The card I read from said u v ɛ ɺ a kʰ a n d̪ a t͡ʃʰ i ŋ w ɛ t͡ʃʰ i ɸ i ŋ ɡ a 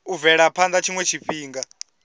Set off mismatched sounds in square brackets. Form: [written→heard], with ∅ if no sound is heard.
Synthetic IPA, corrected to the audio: u v ɛ ɺ a [kʰ→pʰ] a n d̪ a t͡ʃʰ i ŋ w ɛ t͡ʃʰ i ɸ [i→iː] ŋ ɡ a